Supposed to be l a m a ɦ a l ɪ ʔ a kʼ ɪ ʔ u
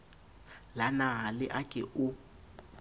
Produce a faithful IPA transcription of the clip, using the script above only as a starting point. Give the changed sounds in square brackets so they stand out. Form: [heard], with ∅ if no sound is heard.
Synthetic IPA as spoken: l a [n] a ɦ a l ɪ ʔ a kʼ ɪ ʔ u